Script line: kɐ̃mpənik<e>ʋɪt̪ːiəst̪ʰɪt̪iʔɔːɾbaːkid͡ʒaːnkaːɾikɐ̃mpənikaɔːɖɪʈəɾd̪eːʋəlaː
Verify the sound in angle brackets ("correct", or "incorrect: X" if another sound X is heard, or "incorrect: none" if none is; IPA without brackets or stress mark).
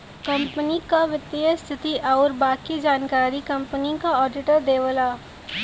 incorrect: a